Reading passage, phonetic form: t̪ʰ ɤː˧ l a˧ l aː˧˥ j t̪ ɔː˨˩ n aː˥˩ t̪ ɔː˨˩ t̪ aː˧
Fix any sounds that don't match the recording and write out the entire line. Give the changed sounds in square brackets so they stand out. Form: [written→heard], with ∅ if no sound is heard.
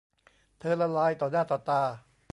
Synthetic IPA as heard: t̪ʰ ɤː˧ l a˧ l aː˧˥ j t̪ ɔː˨˩ n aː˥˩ t̪ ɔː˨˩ t̪ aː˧